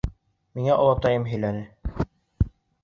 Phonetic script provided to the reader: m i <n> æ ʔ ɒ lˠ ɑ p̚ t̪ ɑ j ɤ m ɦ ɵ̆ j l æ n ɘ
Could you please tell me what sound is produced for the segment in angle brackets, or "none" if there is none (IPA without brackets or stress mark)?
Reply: ŋ